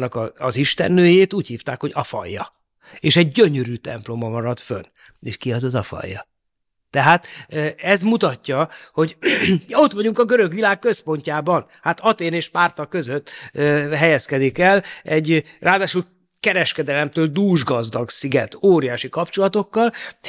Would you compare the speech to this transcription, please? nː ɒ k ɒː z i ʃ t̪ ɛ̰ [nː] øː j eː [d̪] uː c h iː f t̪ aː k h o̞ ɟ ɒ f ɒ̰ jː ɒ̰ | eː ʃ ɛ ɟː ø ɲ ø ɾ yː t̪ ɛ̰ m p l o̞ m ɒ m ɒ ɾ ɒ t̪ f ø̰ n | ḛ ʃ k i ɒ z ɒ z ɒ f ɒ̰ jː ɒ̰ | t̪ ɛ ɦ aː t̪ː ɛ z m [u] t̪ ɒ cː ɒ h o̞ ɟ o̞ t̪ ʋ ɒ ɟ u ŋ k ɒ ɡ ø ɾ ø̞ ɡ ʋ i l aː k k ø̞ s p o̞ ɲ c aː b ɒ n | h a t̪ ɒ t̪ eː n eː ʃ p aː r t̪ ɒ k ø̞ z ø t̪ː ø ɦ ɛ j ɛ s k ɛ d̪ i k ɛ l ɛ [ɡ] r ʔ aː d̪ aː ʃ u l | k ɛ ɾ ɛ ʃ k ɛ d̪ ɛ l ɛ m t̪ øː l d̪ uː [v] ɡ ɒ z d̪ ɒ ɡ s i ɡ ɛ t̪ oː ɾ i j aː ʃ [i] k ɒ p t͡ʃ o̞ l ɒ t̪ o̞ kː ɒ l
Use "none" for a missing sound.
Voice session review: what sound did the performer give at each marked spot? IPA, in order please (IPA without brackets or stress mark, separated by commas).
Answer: nː, t̪, u, ɟ, ʒ, i